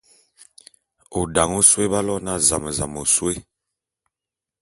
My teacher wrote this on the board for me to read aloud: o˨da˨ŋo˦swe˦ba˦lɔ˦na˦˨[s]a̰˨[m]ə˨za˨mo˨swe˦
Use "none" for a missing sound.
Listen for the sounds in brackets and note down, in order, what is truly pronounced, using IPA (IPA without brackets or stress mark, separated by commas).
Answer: z, m